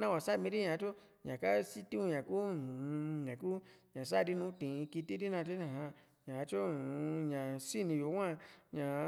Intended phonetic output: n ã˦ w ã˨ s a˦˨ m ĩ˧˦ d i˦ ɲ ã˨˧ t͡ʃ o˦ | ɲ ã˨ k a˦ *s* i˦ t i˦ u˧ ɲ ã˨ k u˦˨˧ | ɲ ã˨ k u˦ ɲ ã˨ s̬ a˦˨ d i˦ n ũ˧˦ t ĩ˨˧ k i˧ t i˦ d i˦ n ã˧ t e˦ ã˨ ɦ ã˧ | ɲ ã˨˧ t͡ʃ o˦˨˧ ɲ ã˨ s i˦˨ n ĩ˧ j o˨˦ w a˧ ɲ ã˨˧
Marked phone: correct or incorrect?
correct